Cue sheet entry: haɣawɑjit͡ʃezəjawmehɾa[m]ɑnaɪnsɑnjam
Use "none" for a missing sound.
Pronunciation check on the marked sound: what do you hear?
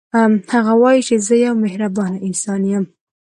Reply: b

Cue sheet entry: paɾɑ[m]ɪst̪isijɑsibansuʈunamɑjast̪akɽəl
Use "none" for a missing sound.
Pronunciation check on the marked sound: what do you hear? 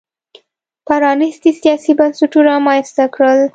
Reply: n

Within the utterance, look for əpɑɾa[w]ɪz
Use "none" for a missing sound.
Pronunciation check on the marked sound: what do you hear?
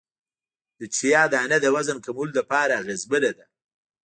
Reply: ɣ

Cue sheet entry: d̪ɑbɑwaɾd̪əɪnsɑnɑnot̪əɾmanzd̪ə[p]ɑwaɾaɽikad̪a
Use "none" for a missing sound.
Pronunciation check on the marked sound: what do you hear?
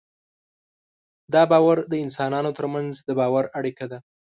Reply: b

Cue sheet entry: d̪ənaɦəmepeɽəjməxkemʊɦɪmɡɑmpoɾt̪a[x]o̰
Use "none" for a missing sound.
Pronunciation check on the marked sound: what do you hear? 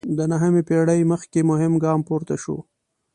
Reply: ʃ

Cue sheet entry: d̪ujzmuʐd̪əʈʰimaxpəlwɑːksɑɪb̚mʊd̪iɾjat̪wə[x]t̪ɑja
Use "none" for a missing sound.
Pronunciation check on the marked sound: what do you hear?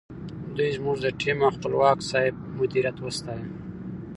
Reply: s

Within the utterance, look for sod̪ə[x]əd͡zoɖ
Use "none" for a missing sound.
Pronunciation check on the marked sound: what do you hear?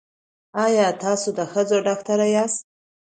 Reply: x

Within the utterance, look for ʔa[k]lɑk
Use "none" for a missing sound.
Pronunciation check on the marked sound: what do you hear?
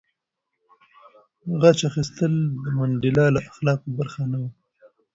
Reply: x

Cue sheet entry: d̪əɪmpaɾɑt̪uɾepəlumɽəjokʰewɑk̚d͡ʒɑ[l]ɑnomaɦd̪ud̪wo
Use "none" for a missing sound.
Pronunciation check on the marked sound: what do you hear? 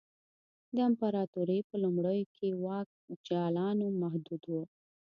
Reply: l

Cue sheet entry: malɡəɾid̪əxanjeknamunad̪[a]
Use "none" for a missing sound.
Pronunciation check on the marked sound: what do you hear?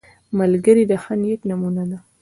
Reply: a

